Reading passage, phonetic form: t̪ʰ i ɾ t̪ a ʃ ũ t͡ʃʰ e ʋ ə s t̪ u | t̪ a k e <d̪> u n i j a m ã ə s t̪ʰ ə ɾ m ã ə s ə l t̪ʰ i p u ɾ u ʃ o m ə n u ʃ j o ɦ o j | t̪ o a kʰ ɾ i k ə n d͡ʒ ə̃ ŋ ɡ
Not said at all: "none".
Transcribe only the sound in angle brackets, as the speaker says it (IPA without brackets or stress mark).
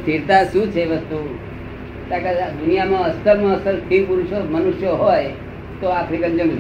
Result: d̪